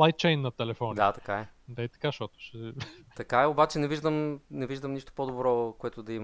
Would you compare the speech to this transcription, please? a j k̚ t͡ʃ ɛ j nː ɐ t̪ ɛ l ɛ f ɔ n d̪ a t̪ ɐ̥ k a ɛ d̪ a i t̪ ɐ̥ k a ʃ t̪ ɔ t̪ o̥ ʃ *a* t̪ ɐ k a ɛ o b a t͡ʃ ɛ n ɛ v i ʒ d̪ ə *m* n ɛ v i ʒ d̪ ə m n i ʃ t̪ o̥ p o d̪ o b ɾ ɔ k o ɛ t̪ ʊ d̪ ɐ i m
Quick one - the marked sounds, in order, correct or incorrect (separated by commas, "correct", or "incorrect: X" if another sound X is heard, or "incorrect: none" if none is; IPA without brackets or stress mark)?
incorrect: ɛ, correct